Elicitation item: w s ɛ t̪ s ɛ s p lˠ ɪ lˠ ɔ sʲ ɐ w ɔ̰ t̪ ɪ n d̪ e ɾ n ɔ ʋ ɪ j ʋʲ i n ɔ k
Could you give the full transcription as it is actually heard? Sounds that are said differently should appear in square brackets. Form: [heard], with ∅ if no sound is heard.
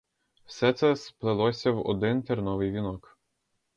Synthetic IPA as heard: w s ɛ t̪ s ɛ s p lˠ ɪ lˠ ɔ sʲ ɐ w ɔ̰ [d̪] ɪ n [t̪] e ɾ n ɔ ʋ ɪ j ʋʲ i n ɔ k